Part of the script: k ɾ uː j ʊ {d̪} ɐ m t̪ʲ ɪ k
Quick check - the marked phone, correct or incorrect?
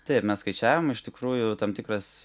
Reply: incorrect